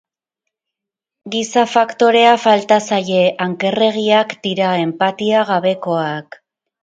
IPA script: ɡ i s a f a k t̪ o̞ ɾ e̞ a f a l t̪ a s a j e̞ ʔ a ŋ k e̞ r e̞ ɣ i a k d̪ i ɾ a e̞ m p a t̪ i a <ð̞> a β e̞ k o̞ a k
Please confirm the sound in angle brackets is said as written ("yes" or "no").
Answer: no